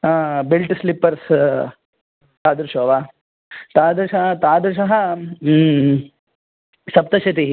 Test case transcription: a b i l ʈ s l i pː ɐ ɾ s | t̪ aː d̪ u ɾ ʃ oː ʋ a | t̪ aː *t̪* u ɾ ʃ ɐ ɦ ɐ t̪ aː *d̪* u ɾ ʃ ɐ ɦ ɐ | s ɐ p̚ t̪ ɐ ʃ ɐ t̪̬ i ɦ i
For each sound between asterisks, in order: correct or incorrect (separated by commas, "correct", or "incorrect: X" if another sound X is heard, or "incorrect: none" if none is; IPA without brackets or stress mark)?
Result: incorrect: d̪, correct